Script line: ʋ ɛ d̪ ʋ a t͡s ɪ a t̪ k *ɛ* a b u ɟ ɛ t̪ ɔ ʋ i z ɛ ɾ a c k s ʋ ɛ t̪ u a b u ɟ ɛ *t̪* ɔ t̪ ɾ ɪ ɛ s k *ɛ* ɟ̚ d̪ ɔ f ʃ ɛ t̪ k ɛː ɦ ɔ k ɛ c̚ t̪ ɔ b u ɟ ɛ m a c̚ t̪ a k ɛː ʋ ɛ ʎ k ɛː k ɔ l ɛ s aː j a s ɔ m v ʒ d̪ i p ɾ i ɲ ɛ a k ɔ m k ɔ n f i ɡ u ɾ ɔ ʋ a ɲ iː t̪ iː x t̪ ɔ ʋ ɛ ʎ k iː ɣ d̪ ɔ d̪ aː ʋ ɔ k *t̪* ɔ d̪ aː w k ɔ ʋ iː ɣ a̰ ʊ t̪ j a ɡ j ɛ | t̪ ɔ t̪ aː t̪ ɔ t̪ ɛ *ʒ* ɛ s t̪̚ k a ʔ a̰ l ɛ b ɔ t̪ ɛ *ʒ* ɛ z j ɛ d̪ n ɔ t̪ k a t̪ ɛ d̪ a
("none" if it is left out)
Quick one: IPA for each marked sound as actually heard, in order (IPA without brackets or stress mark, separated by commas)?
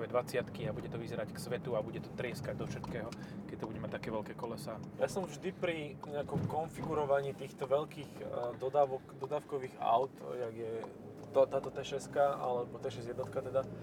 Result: i, t̪, a, d̪, ʃ, ʃ